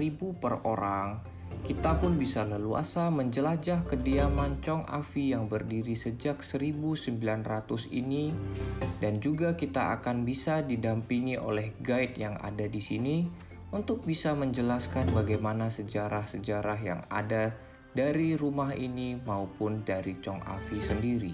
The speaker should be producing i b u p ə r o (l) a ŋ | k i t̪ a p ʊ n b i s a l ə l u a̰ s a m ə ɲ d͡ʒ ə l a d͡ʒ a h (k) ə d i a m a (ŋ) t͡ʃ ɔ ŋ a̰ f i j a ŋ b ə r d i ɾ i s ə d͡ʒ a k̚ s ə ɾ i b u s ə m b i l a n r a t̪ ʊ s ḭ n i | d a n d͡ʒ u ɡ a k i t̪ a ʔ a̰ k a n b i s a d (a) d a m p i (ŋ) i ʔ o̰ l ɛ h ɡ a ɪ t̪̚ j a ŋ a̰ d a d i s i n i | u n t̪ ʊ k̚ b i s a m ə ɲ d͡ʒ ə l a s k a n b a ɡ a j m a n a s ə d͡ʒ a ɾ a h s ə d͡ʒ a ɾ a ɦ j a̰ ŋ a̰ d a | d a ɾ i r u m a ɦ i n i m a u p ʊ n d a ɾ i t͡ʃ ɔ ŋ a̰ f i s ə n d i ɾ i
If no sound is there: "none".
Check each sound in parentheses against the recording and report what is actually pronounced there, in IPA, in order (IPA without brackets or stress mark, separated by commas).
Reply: ɾ, k, ɲ, i, ŋ